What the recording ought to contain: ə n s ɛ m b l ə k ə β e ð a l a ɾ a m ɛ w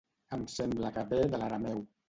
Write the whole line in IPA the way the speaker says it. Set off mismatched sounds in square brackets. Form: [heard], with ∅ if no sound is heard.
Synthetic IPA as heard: ə [m] s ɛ m b l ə k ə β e ð [ə] l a ɾ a m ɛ w